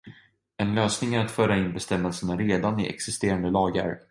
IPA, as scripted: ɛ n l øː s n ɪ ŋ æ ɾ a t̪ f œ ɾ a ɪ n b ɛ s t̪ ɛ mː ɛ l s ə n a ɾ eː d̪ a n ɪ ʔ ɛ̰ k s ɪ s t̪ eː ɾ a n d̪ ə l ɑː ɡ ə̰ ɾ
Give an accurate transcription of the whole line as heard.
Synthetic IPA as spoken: ɛ n l øː s n ɪ ŋ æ ɾ a t̪ f œː ɾ a ɪ n b ɛ s t̪ ɛ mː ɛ l s ə n a ɾ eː d̪ a n ɪ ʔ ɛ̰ k s ɪ s t̪ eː ɾ a n d̪ ə l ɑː ɡ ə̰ ɾ